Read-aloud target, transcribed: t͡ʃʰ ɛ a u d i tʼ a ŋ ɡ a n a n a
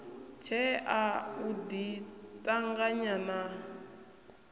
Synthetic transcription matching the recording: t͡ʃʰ ɛ a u d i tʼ a ŋ ɡ a ɲ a n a